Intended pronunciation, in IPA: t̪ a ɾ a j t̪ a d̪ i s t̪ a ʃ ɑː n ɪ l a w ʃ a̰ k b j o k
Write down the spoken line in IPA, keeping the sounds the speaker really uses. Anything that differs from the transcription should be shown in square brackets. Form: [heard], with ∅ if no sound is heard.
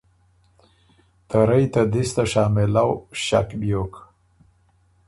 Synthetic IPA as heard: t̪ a ɾ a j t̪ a d̪ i s t̪ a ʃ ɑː [m] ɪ l a w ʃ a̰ k b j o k